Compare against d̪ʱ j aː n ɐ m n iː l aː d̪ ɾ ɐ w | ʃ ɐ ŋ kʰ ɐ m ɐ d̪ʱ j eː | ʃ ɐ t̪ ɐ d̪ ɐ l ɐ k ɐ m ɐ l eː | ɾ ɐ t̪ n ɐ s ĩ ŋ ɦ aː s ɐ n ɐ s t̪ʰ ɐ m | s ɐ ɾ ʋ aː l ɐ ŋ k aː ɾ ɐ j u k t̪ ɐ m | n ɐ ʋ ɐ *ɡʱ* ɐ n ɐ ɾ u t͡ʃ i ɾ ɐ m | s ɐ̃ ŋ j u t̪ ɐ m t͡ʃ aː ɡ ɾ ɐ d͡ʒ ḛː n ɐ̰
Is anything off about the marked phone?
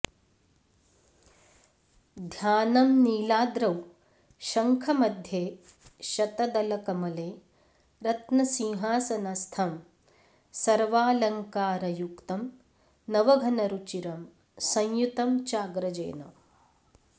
no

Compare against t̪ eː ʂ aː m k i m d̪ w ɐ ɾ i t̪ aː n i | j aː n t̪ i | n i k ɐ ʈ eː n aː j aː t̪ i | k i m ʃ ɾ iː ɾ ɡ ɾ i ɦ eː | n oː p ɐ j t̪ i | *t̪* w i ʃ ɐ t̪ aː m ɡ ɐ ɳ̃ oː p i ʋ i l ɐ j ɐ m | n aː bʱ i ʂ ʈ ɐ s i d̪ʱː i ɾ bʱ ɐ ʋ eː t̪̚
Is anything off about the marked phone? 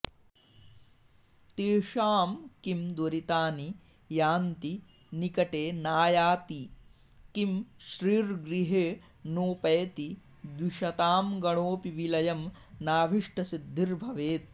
yes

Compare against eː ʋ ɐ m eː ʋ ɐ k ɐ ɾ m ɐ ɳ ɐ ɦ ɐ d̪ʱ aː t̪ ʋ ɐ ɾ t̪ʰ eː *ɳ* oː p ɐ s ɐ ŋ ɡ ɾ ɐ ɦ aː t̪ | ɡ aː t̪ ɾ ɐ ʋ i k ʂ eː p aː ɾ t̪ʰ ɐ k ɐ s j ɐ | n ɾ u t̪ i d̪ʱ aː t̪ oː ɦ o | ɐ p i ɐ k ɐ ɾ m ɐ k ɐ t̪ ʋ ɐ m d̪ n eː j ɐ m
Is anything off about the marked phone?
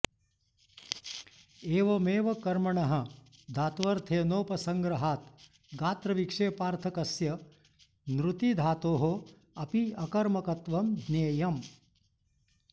yes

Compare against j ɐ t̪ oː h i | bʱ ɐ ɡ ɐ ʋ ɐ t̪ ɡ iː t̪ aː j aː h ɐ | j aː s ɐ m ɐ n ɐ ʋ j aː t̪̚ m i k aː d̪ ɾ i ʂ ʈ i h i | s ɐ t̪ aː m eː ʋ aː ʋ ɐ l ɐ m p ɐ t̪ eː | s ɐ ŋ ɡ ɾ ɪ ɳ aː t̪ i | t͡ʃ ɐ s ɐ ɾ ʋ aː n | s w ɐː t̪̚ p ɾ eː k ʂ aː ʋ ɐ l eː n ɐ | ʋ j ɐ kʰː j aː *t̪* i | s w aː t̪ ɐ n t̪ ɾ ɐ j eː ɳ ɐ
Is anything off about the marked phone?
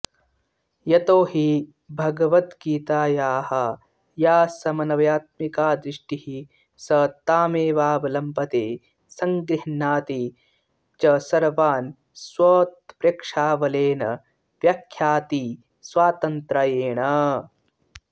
no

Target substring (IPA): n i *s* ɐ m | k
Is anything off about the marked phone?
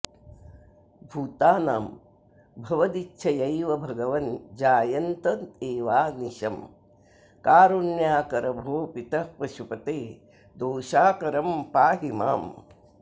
yes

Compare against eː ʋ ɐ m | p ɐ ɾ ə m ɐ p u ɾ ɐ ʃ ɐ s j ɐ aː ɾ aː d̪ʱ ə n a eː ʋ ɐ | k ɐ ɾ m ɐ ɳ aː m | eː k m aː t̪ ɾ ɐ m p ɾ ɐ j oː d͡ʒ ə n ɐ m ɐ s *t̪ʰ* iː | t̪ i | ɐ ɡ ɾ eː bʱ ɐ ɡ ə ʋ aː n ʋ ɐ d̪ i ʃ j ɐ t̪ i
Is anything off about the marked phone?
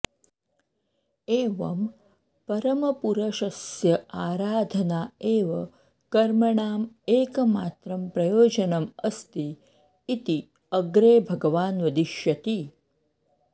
yes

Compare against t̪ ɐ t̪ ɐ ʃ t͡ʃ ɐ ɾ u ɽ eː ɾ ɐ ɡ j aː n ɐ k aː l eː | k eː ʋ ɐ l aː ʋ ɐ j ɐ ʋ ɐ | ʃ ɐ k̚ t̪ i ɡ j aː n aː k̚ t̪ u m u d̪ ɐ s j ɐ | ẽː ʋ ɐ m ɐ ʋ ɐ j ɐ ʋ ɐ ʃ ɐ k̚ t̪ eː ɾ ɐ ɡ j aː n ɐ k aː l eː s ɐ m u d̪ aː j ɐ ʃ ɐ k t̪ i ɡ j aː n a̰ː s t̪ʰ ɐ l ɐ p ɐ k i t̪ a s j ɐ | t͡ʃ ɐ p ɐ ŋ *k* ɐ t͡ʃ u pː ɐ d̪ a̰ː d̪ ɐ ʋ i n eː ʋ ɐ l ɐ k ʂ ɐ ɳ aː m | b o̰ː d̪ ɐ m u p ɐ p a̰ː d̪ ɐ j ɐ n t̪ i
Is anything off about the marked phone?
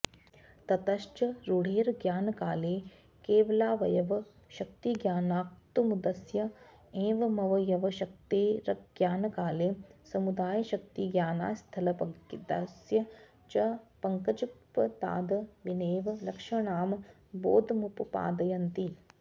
no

